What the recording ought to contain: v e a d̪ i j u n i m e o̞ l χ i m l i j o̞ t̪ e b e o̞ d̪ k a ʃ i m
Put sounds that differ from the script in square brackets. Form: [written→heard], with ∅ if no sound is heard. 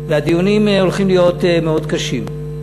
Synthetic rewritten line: v e a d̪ i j u n i m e o̞ l χ i m l i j o̞ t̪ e [b→m] e o̞ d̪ k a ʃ i m